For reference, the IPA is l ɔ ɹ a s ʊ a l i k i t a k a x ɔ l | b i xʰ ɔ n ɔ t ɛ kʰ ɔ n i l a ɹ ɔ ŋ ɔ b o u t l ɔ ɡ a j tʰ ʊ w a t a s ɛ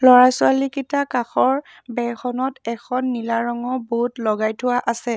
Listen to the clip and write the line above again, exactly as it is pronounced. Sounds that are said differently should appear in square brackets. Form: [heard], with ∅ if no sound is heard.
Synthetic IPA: l ɔ ɹ a s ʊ a l i k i t a k a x ɔ [ɹ] | b [ɛ] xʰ ɔ n ɔ t ɛ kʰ ɔ [nː] i l a ɹ ɔ ŋ ɔ b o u t l ɔ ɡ a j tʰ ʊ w a [ʔ] a s ɛ